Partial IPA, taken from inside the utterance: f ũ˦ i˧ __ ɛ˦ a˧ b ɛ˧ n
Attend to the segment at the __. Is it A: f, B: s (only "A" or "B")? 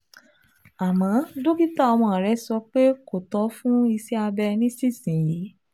B